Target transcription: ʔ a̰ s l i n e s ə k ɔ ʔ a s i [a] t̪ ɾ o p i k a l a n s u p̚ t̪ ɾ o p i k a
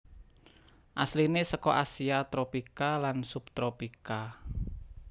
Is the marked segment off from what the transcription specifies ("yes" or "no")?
no